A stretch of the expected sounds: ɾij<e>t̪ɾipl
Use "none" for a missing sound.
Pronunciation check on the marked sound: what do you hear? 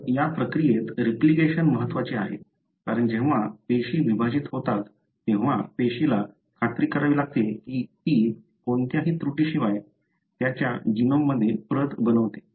e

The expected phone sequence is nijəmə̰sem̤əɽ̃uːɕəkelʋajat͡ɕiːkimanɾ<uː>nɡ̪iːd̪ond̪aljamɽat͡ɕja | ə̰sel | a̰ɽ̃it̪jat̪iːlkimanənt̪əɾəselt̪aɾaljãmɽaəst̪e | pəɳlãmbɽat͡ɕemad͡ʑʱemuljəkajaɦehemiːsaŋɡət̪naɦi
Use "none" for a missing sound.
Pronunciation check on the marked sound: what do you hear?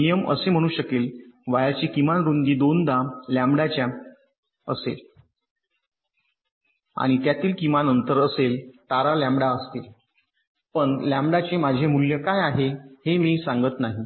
u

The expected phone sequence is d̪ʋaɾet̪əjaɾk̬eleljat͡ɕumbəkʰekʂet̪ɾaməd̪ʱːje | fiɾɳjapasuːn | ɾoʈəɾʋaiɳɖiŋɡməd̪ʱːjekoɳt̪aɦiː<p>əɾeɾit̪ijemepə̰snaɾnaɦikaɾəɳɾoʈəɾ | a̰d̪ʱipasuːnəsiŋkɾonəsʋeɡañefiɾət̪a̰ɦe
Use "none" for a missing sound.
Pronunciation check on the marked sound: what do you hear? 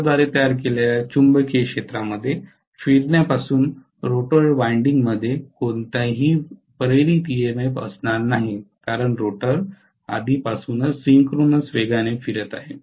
p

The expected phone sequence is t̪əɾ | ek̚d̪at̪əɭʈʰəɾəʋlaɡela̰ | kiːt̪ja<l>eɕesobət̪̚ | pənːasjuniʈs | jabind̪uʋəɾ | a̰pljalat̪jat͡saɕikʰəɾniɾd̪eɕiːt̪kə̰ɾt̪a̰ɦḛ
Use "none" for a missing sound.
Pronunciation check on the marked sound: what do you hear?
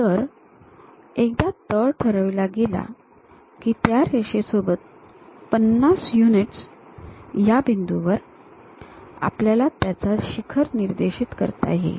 ɾ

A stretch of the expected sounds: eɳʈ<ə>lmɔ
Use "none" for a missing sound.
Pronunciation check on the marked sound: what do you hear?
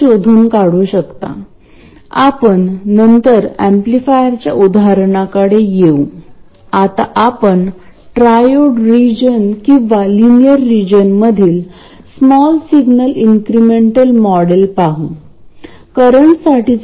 ə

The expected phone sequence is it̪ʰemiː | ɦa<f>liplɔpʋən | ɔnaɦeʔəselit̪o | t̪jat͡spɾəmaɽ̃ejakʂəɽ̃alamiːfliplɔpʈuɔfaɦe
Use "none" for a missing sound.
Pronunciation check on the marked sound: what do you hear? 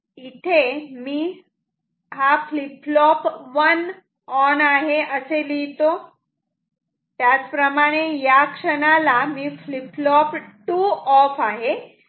f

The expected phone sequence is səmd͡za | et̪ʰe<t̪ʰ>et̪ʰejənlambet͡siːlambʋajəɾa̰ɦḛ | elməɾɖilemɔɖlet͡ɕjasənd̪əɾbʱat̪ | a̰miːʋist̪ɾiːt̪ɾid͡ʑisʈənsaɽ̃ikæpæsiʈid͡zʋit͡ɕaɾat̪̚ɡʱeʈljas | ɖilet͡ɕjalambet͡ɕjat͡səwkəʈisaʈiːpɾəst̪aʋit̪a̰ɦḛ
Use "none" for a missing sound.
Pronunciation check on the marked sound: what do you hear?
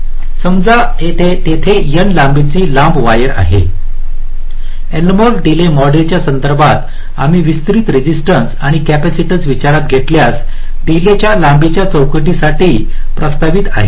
t̪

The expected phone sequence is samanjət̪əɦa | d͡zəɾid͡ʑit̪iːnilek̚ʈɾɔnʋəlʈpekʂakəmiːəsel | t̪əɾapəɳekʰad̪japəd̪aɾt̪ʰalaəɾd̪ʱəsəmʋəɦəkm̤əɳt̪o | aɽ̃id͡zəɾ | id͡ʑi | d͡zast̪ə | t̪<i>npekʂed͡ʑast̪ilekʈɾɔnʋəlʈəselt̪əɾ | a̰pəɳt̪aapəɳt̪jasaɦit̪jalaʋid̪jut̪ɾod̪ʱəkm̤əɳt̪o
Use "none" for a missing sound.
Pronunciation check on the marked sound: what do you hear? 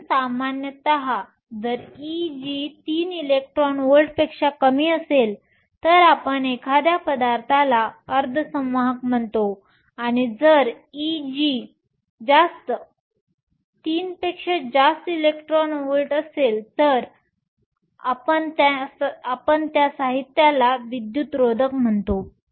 iː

